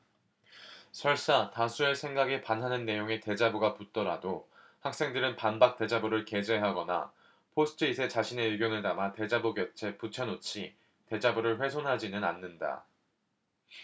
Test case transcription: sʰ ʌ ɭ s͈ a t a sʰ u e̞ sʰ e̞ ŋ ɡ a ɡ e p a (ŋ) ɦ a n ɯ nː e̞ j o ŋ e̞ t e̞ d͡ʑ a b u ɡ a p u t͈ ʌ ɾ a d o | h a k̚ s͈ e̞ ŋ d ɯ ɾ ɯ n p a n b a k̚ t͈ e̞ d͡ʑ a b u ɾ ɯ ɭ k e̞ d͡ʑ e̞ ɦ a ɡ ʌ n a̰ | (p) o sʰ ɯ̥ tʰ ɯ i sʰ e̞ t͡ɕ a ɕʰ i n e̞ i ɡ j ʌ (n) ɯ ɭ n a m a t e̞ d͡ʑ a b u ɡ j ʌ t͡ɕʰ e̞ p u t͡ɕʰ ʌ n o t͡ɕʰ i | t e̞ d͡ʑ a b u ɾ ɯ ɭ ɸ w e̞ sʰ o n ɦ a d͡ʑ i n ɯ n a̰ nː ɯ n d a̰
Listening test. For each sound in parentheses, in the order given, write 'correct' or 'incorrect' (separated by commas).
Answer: incorrect, incorrect, correct